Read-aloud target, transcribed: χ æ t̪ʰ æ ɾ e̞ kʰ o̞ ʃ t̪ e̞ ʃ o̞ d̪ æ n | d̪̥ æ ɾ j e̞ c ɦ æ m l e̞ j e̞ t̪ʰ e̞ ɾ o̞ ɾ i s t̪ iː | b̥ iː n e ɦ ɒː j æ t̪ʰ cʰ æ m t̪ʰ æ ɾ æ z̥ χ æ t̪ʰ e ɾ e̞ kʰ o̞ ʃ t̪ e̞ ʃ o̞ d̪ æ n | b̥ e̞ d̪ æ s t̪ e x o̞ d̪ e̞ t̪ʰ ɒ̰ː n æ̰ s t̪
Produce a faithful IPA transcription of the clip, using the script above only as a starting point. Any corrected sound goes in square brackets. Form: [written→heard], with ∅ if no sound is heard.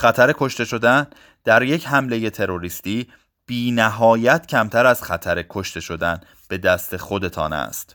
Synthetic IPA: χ æ t̪ʰ æ ɾ e̞ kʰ o̞ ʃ t̪ e̞ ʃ o̞ d̪ æ n | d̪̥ æ ɾ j e̞ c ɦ æ m l e̞ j e̞ t̪ʰ e̞ ɾ o̞ ɾ i s t̪ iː | b̥ iː n [e→æ] ɦ ɒː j æ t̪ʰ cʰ æ m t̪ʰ æ ɾ æ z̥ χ æ t̪ʰ [e→æ] ɾ e̞ kʰ o̞ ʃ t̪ e̞ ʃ o̞ d̪ æ n | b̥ e̞ d̪ æ s t̪ e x o̞ d̪ e̞ t̪ʰ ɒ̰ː n æ̰ s t̪